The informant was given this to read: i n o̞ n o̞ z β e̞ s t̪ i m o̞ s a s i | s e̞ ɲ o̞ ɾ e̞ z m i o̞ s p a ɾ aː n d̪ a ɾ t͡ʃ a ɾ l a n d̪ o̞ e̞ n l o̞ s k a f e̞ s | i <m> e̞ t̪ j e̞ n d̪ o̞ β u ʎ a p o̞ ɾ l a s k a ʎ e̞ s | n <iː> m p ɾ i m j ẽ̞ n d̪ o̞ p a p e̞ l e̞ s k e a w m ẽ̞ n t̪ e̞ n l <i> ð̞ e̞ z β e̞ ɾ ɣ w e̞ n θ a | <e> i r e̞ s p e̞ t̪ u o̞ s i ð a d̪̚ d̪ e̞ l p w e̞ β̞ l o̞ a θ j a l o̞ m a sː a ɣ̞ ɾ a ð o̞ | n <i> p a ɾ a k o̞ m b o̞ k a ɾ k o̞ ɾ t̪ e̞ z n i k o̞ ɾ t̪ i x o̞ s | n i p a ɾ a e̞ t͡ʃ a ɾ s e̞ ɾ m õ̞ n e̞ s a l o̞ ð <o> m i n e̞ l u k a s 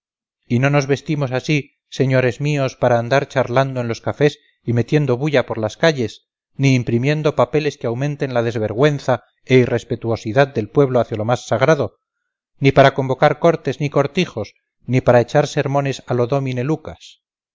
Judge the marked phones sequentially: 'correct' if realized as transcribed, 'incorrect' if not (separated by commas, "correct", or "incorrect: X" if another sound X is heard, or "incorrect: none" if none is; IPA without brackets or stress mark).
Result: correct, correct, incorrect: a, correct, correct, correct